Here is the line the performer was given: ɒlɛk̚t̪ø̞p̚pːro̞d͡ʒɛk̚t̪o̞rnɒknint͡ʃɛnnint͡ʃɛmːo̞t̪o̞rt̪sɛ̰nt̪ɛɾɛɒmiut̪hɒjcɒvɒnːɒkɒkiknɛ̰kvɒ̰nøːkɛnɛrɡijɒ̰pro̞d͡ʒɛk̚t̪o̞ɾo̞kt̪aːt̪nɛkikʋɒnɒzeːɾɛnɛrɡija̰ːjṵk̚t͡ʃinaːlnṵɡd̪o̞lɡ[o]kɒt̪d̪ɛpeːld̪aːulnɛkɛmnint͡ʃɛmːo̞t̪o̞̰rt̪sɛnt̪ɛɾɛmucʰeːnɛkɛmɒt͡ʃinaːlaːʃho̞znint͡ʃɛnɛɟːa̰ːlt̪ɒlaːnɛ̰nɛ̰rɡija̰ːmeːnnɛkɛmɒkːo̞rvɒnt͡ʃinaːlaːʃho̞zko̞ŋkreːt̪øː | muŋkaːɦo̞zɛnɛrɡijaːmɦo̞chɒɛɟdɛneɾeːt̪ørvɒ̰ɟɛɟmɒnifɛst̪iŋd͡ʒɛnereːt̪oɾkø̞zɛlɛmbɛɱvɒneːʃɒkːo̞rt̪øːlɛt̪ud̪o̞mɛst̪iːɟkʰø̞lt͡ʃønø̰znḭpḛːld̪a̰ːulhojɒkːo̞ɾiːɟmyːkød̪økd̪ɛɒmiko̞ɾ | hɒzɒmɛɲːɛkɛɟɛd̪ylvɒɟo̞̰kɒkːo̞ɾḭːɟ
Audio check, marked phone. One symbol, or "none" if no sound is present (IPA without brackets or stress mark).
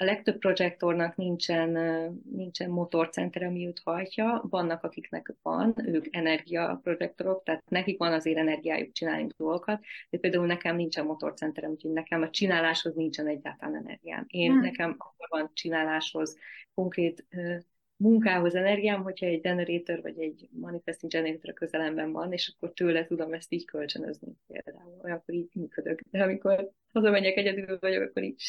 o